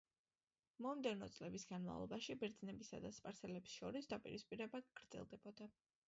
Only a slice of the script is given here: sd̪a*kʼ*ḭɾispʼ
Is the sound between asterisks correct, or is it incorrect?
incorrect